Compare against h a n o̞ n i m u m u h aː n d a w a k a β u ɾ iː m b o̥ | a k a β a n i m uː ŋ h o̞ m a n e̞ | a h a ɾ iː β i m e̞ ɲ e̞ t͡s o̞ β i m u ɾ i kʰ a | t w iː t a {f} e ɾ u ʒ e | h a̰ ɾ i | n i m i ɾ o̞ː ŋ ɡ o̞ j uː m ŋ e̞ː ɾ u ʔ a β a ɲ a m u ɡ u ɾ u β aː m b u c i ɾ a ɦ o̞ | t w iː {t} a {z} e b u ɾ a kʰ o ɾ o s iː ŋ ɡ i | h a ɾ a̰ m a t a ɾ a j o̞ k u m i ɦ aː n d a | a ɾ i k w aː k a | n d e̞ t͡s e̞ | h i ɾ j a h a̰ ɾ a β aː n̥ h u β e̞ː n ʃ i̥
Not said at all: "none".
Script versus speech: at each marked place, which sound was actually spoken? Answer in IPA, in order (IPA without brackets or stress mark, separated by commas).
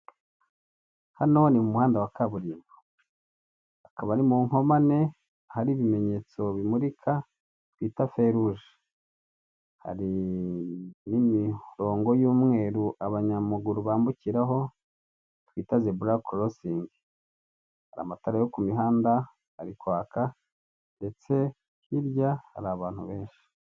f, t, z